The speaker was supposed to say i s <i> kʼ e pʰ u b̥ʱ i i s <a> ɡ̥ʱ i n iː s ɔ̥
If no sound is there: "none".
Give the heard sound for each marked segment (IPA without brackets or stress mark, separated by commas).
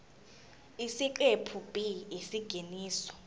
i, i